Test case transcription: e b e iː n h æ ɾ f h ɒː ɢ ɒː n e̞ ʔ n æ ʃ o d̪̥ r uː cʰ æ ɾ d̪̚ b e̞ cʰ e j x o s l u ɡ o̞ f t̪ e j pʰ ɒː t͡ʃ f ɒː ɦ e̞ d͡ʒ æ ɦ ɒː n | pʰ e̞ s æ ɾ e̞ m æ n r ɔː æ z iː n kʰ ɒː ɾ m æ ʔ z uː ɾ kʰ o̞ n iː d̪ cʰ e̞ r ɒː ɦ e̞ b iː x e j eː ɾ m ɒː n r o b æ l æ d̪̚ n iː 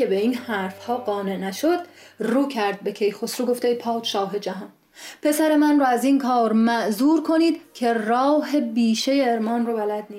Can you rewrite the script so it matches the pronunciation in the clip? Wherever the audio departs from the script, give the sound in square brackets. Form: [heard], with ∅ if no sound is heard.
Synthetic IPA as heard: e b e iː n h æ ɾ f h ɒː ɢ ɒː n e̞ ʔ n æ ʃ o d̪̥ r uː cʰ æ ɾ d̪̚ b e̞ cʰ e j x o s [ɾ] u ɡ o̞ f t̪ e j pʰ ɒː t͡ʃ [ʃ] ɒː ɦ e̞ d͡ʒ æ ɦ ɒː n | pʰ e̞ s æ ɾ e̞ m æ n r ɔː æ z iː n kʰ ɒː ɾ m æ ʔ z uː ɾ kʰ o̞ n iː d̪ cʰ e̞ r ɒː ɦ e̞ b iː [ʃ] e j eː ɾ m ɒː n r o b æ l æ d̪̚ n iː